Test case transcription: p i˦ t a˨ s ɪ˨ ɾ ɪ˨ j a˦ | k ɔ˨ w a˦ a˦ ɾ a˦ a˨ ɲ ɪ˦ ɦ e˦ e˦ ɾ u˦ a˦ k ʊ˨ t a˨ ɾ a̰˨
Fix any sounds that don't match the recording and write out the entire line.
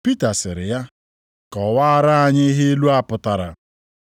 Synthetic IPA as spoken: p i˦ t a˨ s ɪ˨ ɾ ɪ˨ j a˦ | k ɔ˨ w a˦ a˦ ɾ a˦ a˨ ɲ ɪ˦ ɦ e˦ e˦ l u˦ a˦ p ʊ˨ t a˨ ɾ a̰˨